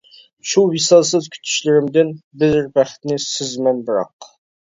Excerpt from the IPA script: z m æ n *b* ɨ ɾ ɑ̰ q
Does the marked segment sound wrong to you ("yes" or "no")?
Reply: no